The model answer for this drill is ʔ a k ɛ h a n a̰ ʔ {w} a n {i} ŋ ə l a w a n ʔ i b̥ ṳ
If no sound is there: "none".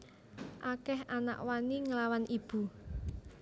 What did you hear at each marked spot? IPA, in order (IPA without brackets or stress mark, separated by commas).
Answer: w, i